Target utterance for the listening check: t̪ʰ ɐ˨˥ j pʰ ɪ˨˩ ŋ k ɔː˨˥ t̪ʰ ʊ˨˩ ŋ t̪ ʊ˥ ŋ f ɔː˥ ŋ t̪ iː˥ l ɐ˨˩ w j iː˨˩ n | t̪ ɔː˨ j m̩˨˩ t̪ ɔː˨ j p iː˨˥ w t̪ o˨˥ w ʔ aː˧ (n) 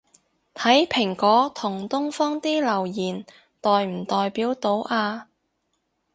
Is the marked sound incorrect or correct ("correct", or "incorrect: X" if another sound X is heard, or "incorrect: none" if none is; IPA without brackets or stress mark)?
incorrect: none